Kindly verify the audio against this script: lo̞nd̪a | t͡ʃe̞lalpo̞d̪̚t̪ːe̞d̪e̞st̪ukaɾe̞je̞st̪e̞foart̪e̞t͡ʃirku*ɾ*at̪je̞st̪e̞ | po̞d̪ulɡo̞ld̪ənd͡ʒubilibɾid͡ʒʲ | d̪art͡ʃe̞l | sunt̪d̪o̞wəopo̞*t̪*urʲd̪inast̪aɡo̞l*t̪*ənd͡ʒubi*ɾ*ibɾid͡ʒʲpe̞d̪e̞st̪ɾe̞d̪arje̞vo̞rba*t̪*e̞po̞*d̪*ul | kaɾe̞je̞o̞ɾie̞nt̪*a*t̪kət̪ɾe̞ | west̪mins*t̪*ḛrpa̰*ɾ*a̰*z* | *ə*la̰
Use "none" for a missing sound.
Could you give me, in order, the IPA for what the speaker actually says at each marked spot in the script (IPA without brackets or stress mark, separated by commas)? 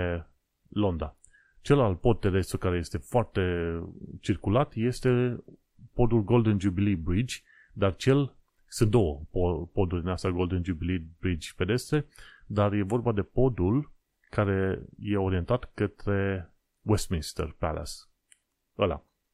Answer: l, d̪, d̪, l, d̪, d̪, a, t̪, l, s, ə